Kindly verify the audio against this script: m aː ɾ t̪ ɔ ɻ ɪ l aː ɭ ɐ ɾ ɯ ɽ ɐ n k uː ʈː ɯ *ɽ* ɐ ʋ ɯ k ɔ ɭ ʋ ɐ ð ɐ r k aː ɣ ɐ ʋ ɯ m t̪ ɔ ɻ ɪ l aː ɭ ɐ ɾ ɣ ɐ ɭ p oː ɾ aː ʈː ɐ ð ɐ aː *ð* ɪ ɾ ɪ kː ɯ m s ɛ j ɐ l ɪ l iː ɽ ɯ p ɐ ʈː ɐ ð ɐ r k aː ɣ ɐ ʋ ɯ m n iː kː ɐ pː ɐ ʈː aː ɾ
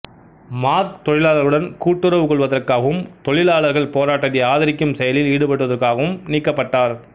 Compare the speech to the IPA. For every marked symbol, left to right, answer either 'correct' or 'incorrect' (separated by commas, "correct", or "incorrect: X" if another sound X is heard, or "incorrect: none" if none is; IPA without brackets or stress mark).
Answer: incorrect: ɾ, correct